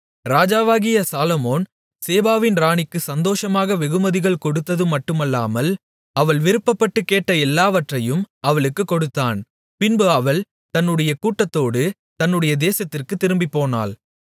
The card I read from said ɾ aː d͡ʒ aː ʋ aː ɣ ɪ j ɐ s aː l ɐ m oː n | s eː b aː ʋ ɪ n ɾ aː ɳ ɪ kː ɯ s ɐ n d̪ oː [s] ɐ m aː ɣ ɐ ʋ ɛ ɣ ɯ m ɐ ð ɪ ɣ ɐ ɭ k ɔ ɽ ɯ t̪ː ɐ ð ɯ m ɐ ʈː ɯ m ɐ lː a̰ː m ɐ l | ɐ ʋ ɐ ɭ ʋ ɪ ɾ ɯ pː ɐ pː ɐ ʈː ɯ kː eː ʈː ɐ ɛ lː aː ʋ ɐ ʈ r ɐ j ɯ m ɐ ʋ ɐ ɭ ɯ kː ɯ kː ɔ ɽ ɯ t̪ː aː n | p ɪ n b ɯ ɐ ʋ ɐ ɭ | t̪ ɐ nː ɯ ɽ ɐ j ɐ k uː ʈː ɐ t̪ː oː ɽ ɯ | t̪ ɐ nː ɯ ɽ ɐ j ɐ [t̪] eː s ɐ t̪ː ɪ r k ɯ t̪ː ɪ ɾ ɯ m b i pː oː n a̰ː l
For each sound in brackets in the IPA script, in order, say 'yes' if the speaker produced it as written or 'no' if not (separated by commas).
no, no